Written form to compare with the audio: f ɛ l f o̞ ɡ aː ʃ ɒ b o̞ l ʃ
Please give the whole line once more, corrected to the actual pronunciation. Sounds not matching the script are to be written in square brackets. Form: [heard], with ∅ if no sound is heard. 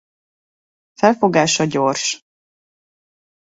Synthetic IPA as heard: f ɛ l f o̞ ɡ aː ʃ ɒ [ɟ] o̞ [r] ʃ